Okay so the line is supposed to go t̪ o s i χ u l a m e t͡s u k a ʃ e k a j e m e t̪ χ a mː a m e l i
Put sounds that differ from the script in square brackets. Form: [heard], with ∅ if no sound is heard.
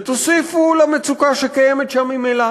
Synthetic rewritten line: t̪ o s i [f] u l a m e t͡s u k a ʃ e k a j e m e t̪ [ʃ] a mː [i] m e l [a]